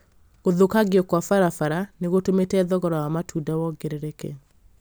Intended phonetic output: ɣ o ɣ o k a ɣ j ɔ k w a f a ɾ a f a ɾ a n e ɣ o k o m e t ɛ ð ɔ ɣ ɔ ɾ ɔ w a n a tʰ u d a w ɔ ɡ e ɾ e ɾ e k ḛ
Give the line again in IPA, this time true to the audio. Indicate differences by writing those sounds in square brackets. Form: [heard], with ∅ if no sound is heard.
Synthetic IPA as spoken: ɣ o [ð] o k a ɣ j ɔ k w a f a ɾ a f a ɾ a n e ɣ o [t] o m e t ɛ ð ɔ ɣ ɔ ɾ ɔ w a [m] a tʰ u d a w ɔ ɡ e ɾ e ɾ e k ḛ